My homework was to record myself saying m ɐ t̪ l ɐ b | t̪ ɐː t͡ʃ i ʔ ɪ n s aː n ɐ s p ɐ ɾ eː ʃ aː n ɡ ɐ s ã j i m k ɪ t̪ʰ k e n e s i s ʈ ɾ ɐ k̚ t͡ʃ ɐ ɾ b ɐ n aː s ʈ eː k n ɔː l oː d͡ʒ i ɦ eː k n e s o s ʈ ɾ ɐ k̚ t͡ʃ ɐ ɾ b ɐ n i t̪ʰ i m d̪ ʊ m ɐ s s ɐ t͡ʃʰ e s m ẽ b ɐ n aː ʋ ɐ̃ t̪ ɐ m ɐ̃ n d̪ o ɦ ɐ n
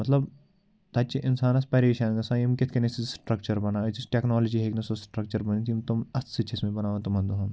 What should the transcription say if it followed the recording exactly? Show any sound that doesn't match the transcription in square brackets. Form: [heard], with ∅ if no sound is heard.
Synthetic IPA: m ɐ t̪ l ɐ b | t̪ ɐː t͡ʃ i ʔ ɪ n s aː n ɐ s p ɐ ɾ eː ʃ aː n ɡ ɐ s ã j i m k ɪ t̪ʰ k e n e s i s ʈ ɾ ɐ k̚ t͡ʃ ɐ ɾ b ɐ n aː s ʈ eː k n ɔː l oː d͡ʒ i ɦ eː k n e s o s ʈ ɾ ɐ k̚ t͡ʃ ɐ ɾ b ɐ n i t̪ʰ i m [t̪] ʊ m ɐ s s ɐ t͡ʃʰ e s m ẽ b ɐ n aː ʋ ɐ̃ t̪ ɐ m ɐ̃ n d̪ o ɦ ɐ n